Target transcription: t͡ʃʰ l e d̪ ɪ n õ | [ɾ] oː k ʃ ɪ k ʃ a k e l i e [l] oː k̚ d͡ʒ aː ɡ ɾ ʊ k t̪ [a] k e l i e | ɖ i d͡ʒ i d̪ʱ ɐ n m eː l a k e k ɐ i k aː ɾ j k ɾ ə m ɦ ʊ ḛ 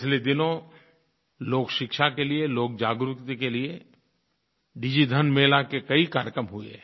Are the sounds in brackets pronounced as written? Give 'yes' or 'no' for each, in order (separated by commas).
no, yes, no